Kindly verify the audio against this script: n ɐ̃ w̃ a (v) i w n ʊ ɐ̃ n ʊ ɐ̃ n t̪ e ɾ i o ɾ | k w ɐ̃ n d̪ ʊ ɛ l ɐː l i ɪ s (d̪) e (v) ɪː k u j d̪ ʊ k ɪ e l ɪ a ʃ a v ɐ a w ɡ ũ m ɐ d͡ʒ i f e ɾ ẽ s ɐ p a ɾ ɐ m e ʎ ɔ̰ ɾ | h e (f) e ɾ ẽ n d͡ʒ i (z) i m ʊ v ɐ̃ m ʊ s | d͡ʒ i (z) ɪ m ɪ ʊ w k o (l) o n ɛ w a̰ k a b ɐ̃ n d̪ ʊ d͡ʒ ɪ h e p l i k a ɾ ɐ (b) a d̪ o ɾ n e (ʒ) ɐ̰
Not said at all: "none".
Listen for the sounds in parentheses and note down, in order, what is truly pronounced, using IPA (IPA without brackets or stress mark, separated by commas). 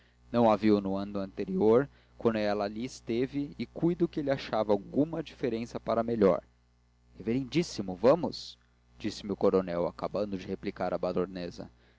v, t̪, v, v, s, s, ɾ, b, z